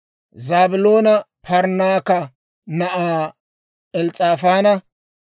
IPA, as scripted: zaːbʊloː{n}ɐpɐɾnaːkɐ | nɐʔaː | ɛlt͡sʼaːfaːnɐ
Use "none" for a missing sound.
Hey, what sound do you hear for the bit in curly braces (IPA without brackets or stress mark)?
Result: n